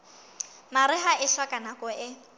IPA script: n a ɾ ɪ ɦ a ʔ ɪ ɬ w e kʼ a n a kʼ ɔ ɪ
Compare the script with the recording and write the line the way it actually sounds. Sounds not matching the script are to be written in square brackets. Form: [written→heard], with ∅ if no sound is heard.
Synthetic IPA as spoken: [n→m] a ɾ ɪ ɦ a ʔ ɪ ɬ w [e→a] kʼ a n a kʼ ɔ ɪ